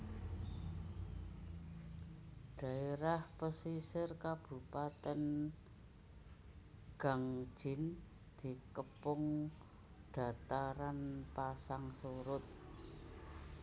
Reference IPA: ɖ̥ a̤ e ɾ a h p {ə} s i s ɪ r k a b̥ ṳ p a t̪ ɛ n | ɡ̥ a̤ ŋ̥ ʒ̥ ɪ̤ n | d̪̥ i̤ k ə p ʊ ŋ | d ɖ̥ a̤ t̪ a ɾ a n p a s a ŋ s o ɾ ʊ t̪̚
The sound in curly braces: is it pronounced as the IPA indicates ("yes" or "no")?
yes